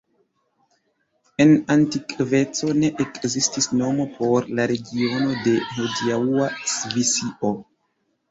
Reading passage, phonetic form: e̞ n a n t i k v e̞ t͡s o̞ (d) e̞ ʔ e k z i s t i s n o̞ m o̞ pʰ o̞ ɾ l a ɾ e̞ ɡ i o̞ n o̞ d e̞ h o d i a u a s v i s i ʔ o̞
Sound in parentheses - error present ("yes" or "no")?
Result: yes